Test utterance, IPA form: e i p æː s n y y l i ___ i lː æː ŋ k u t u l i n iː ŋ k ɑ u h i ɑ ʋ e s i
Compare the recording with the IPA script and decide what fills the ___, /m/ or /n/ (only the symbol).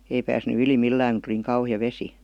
m